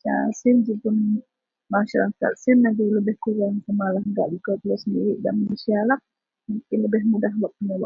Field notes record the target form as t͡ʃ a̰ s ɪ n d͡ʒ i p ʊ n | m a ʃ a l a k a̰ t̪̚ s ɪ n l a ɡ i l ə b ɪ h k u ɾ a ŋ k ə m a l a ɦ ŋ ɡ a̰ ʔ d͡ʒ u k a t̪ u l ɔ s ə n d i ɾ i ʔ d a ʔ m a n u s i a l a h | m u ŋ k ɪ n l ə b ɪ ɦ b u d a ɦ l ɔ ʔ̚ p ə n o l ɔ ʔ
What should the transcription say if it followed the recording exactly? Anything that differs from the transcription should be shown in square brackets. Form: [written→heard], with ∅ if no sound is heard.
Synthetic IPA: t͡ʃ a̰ s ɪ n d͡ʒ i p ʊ n | m a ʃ a [l→ɾ] a k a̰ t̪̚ s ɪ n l a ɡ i l ə b ɪ h k u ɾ a ŋ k ə m a l a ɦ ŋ ɡ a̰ ʔ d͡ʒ u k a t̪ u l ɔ s ə n d i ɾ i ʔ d a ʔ m a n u s i a l a h | m u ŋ k ɪ n l ə b ɪ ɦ [b→m] u d a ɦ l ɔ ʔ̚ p ə n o l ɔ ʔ